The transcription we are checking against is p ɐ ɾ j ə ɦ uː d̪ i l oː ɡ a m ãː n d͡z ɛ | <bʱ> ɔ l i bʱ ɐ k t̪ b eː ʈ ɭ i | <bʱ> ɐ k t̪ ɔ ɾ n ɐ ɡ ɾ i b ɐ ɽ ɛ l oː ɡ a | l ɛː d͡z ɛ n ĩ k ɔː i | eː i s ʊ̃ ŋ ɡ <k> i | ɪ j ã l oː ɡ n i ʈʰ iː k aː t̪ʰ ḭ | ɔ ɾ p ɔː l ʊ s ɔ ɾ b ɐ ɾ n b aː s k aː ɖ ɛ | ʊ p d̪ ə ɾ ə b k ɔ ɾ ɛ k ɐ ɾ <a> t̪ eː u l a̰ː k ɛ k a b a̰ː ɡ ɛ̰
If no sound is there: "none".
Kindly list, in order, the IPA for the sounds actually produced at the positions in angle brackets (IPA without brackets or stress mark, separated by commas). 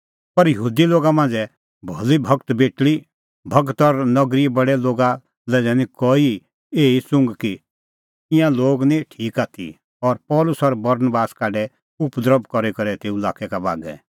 bʱ, bʱ, k, ɛ